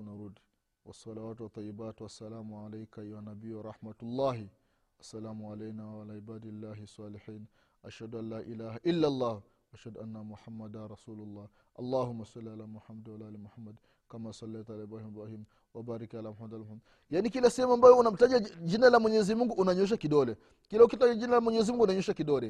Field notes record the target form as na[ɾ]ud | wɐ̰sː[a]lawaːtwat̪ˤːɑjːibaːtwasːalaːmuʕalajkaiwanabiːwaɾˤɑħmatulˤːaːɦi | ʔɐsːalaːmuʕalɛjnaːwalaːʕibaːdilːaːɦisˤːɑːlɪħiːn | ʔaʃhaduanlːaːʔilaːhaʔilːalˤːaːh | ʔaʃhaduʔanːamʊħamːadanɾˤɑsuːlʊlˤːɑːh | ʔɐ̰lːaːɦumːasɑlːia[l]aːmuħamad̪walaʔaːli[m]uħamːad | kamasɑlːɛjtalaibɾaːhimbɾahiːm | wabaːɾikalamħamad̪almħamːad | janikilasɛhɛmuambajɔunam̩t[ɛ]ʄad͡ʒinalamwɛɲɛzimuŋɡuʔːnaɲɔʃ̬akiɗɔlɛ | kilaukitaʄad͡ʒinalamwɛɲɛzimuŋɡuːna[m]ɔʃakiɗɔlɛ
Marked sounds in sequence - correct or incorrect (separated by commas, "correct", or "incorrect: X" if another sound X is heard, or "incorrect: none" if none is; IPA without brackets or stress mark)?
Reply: correct, incorrect: ɑ, correct, correct, incorrect: a, incorrect: ɲ